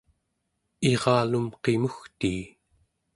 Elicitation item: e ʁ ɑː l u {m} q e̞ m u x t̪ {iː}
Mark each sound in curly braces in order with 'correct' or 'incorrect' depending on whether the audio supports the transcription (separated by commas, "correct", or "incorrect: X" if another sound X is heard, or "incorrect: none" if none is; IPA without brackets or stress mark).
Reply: correct, correct